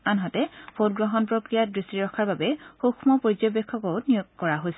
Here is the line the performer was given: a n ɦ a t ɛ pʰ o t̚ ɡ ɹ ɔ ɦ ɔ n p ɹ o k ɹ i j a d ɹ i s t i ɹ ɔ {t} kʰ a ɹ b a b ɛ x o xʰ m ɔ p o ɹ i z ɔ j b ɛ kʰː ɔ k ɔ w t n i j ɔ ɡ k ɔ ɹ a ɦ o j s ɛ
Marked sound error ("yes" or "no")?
yes